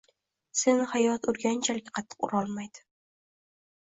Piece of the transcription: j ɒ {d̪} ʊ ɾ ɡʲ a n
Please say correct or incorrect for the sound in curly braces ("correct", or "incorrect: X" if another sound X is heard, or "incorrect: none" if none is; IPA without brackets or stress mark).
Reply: incorrect: t̪